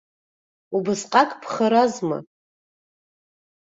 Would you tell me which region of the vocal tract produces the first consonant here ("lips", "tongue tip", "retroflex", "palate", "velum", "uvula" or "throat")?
lips